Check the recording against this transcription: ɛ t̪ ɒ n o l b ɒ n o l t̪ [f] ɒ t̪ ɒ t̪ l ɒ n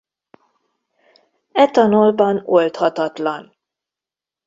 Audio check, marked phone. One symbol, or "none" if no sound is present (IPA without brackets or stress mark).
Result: h